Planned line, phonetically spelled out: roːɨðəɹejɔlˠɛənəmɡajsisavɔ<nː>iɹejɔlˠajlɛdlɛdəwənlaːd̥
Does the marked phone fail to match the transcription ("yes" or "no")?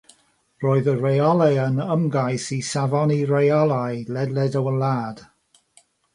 yes